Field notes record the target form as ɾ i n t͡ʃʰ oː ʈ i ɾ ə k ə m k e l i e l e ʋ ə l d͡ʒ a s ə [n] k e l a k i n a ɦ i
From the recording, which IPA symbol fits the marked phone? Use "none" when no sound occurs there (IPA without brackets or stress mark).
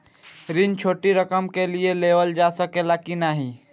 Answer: none